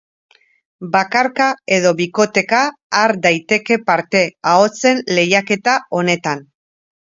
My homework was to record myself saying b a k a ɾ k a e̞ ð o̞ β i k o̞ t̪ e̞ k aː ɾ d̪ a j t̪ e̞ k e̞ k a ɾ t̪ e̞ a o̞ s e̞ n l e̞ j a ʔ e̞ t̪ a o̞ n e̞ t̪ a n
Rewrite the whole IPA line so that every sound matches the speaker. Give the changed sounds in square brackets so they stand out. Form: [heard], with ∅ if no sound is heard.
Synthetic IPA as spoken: b a k a ɾ k a e̞ ð o̞ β i k o̞ t̪ e̞ k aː ɾ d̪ a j t̪ e̞ k e̞ [p] a ɾ t̪ e̞ a o̞ [t͡s] e̞ n l e̞ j a [k] e̞ t̪ a o̞ n e̞ t̪ a n